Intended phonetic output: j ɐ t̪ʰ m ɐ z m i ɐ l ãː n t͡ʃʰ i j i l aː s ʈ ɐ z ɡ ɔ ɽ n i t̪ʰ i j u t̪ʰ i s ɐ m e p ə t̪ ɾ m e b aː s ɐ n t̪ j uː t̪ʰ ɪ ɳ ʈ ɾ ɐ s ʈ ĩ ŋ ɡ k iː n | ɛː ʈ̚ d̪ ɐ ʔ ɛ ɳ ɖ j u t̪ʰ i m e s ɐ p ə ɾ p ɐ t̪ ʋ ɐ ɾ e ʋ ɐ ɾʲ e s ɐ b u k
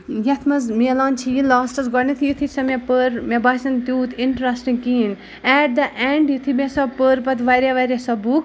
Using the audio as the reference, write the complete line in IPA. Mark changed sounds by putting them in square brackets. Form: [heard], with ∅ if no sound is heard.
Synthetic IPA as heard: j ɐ t̪ʰ m ɐ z m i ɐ l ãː n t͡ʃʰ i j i l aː s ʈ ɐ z ɡ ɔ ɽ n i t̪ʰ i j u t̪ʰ i s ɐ m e p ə [∅] ɾ m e b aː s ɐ n t̪ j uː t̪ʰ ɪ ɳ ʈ ɾ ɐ s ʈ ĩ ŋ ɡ k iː n | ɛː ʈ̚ d̪ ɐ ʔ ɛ ɳ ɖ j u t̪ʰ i m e s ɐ p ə ɾ p ɐ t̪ ʋ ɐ ɾ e ʋ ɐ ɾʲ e s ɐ b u k